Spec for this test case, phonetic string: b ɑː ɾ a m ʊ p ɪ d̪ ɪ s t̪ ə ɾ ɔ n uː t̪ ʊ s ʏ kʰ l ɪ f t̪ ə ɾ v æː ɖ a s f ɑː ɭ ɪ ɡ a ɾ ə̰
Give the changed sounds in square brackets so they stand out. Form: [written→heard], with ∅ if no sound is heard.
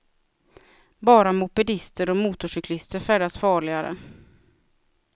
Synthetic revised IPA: b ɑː ɾ a m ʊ p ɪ d̪ ɪ s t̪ ə ɾ ɔ [n→m] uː t̪ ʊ [s→ʂ] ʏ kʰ l ɪ [f→s] t̪ ə ɾ [v→f] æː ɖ a s f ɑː ɭ ɪ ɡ a ɾ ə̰